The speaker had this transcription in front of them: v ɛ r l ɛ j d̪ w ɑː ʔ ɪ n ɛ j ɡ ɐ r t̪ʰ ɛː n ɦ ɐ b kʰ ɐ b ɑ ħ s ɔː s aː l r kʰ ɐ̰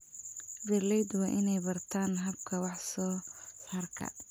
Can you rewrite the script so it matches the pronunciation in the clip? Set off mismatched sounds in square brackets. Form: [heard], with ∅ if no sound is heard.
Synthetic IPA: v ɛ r l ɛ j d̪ w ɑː ʔ ɪ n ɛ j [b] ɐ r t̪ʰ [aː] n ɦ ɐ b kʰ ɐ [w] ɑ ħ s ɔː s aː [∅] r kʰ ɐ̰